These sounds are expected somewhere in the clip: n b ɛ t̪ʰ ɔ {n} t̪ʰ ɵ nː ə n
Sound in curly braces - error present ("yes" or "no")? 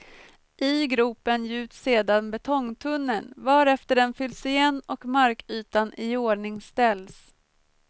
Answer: yes